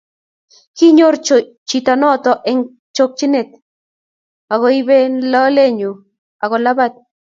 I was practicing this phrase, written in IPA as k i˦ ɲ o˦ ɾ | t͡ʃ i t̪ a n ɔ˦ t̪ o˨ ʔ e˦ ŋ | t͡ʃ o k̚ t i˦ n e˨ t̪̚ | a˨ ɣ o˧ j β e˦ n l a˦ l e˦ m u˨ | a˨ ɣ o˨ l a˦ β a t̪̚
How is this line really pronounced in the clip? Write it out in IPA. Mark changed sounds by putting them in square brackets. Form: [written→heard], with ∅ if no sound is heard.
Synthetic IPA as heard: k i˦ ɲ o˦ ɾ | t͡ʃ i t̪ a n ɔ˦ t̪ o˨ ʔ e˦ ŋ | t͡ʃ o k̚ [t→t͡ʃ] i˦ n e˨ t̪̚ | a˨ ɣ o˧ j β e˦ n l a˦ l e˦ [m→ɲ] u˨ | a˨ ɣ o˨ l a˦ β a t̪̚